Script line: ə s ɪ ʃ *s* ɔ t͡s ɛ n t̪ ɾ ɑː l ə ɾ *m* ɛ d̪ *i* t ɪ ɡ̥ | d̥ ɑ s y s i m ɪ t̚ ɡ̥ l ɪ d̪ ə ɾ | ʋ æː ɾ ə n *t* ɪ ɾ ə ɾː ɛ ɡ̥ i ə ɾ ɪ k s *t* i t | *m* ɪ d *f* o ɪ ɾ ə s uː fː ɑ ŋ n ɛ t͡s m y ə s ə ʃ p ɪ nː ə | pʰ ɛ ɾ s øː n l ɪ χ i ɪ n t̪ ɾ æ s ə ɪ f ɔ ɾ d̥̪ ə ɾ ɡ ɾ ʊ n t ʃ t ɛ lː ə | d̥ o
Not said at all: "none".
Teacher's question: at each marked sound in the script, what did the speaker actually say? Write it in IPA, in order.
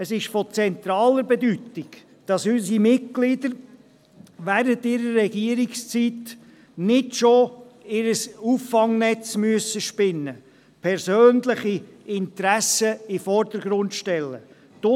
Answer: f, b, y, t, t͡s, n, ʃ

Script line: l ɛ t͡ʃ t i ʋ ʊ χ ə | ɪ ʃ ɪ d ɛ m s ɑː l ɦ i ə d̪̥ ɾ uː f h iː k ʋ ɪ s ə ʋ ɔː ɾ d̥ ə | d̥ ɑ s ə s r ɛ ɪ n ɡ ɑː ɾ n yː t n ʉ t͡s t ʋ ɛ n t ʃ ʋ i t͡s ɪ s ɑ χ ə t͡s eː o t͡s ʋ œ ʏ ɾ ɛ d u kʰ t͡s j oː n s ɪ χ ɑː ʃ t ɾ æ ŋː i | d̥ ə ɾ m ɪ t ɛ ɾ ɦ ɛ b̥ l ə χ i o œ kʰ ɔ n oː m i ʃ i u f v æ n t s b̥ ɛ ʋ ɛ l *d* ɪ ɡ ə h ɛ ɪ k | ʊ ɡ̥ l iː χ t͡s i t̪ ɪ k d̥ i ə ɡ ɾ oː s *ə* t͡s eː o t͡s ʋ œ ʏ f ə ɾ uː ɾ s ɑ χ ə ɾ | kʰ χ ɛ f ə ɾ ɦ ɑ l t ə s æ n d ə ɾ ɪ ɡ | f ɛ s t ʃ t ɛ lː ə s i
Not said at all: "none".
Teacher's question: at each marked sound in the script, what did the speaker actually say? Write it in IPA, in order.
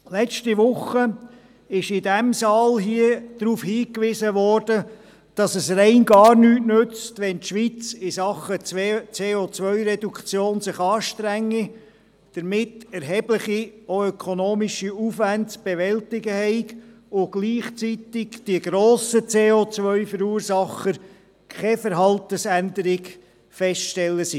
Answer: t, ə

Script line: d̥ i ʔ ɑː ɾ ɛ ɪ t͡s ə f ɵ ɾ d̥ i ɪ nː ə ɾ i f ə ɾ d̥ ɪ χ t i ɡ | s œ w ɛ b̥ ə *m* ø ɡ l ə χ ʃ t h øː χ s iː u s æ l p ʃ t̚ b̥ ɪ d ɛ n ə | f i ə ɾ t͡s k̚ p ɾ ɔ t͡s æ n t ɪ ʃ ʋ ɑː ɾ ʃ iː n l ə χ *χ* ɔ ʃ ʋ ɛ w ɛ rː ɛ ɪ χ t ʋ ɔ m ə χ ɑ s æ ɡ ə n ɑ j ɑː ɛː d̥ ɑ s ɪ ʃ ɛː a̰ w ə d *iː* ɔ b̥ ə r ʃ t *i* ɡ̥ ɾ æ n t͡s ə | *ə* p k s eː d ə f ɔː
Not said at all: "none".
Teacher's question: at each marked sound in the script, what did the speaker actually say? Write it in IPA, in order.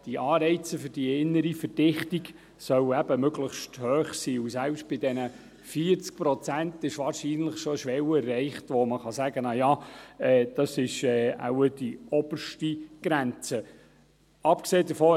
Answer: m, ʃ, i, i, ɑ

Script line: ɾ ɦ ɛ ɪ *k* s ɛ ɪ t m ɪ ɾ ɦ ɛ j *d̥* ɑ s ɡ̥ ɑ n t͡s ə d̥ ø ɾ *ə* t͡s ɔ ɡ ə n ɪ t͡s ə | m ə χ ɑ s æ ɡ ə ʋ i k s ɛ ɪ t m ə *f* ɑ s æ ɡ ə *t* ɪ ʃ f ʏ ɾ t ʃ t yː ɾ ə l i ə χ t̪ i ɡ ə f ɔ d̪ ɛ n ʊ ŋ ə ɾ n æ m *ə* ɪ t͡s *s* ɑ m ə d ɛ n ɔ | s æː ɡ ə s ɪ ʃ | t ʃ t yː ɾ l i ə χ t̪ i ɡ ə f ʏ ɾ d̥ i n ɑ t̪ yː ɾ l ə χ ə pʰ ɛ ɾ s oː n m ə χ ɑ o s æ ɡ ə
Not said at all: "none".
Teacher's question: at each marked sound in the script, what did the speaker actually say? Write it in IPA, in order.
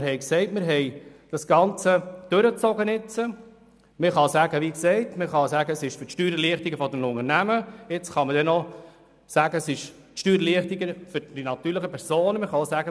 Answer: k, d̥, ə, χ, s, ə, χ

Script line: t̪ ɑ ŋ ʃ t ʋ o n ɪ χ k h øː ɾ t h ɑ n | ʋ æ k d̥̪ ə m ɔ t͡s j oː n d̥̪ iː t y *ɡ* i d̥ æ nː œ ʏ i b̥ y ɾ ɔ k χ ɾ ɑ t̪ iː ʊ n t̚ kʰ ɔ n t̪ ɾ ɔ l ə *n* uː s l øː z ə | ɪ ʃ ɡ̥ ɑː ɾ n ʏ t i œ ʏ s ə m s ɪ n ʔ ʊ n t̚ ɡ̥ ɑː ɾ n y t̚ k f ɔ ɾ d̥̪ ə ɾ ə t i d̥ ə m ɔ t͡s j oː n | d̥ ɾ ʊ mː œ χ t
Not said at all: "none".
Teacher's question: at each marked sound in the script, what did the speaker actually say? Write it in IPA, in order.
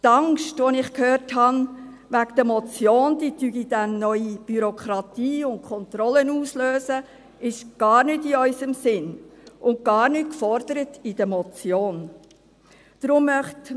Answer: ɡ, n

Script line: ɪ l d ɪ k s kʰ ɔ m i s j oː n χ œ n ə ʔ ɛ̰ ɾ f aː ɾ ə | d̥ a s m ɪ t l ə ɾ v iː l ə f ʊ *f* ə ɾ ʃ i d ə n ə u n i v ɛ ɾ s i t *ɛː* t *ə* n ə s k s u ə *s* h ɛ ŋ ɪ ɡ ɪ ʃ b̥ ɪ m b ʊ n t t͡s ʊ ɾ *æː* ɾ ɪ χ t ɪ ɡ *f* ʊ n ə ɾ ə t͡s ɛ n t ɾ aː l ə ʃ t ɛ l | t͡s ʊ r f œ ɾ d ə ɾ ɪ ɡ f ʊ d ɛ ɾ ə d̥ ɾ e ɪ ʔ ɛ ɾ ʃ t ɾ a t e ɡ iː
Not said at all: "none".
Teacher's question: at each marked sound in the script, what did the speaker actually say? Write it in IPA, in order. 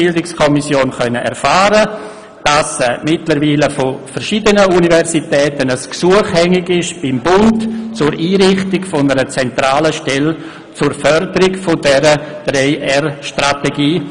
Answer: f, ɛː, ə, χ, iː, f

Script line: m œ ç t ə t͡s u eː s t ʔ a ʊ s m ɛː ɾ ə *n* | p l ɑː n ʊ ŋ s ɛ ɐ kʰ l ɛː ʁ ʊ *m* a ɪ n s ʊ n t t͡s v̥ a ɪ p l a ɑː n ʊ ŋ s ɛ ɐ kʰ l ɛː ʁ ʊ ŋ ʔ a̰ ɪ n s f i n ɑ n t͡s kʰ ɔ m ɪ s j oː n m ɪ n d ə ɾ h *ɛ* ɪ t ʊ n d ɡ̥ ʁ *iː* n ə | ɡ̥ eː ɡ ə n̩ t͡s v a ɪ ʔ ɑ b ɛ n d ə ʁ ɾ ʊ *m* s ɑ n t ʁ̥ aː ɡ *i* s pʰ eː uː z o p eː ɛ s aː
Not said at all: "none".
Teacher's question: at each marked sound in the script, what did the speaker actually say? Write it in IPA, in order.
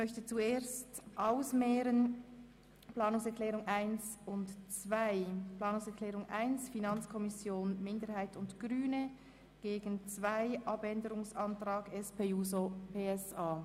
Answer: n, ŋ, a, yː, ŋ, ɛ

